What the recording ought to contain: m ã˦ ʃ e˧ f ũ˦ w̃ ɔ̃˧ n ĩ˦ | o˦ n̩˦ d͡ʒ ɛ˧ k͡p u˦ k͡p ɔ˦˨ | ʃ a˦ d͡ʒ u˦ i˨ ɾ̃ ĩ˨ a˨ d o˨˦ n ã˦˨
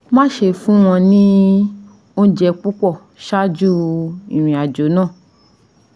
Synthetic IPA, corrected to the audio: m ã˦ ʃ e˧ f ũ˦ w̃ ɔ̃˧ n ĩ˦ | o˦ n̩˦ d͡ʒ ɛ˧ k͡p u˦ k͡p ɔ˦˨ | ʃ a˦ d͡ʒ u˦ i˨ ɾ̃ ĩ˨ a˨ d͡ʒ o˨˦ n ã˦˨